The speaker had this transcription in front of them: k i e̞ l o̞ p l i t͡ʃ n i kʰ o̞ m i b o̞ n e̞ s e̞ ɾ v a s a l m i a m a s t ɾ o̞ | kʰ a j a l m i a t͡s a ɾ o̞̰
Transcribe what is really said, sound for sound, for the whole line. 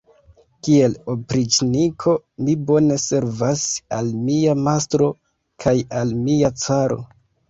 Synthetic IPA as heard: k i e̞ l o̞ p ɾ i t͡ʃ n i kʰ o̞ m i b o̞ n e̞ s e̞ ɾ v a s a l m i a m a s t ɾ o̞ | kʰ a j a l m i a t͡s a ɾ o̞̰